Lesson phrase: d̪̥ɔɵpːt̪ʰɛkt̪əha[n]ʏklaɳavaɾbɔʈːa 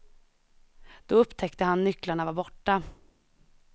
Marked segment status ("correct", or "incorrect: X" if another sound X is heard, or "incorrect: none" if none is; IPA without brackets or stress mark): incorrect: nː